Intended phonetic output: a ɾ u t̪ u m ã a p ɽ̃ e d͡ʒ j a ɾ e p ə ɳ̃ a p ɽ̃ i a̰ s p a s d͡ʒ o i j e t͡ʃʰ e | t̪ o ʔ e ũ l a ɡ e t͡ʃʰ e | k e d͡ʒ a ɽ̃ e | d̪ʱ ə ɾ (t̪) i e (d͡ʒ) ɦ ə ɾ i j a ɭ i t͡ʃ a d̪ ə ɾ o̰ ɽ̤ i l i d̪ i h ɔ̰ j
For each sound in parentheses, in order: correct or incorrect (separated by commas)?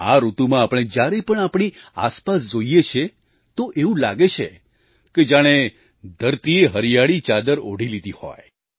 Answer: correct, incorrect